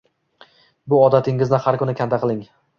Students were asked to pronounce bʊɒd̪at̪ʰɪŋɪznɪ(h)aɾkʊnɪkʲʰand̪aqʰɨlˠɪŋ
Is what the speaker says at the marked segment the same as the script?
yes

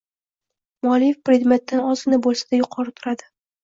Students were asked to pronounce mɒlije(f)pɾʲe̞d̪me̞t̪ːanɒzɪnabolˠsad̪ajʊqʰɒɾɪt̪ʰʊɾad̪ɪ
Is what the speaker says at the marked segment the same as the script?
yes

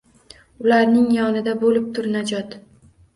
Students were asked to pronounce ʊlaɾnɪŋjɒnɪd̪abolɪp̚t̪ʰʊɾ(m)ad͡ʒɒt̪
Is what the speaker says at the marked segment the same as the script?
no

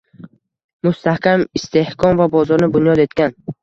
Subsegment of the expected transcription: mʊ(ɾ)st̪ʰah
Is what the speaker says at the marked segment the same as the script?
no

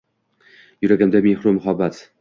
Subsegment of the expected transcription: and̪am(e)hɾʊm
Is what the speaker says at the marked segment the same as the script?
yes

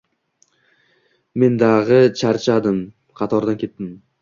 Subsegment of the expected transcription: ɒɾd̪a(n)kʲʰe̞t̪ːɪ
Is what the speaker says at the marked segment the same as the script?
yes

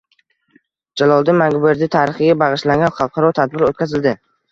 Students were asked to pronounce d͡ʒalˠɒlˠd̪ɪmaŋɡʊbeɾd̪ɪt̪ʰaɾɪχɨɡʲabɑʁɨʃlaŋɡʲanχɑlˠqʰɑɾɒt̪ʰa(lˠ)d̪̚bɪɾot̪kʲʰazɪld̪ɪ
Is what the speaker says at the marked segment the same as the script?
no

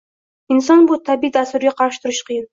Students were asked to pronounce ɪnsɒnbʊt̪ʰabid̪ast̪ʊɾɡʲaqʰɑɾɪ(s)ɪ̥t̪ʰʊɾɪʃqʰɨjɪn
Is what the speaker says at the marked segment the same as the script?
no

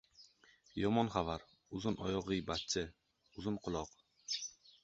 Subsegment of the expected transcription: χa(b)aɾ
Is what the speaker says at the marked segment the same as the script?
no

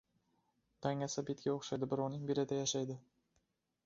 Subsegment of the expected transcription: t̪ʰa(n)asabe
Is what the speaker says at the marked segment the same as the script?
no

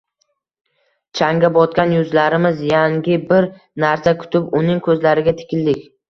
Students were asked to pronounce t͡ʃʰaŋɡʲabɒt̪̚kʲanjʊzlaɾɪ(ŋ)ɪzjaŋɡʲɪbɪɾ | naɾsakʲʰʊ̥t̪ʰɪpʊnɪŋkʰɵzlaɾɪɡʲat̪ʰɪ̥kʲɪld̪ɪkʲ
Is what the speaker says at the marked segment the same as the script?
no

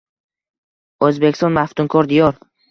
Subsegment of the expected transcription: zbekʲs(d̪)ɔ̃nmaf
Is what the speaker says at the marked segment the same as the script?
no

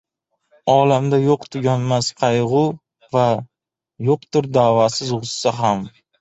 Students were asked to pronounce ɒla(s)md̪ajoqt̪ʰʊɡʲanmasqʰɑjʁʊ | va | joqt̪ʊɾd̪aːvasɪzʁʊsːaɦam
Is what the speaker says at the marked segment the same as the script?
no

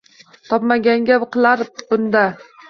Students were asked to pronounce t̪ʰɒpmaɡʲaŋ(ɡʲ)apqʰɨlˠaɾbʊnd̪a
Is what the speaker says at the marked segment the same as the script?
yes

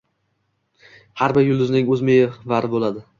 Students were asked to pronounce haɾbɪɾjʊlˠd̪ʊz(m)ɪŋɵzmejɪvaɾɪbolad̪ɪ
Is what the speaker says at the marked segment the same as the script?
no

